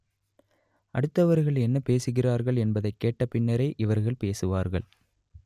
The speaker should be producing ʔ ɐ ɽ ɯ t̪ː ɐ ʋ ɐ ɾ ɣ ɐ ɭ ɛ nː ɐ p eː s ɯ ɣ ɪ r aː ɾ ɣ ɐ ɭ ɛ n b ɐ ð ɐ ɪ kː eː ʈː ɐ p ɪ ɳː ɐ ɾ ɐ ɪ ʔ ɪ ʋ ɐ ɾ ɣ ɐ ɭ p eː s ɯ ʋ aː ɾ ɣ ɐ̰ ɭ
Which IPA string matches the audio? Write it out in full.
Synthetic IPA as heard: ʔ ɐ ɽ ɯ t̪ː ɐ ʋ ɐ ɾ ɣ ɐ ɭ ɛ nː ɐ p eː s ɯ ɣ ɪ r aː ɾ ɣ ɐ ɭ ɛ n b ɐ ð ɐ ɪ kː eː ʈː ɐ p ɪ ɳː ɐ ɾ ɐ ɪ ʔ ɪ ʋ ɐ ɾ ɣ ɐ ɭ p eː s ɯ ʋ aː ɾ ɣ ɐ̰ ɭ